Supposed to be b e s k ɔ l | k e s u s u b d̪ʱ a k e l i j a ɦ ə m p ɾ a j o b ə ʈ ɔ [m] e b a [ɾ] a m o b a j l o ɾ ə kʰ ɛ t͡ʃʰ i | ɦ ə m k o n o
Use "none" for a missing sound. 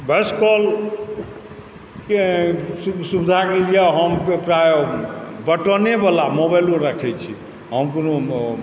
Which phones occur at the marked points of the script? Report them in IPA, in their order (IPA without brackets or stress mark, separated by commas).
n, l